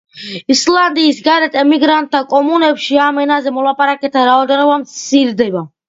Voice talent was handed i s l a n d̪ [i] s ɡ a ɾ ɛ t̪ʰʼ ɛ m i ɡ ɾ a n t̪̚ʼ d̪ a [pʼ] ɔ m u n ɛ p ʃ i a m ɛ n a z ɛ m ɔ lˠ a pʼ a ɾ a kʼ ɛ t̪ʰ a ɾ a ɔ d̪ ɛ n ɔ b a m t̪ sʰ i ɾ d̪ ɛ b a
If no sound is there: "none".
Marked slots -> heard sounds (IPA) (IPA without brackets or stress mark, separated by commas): iː, kʼ